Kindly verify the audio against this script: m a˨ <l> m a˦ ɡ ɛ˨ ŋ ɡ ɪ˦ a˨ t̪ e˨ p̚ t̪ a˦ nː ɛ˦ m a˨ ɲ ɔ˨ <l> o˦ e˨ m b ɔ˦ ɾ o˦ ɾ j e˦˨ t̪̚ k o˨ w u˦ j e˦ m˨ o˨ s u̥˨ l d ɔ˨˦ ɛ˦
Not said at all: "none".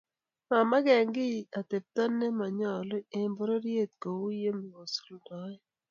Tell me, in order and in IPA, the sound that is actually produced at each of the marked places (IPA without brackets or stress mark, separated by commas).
none, l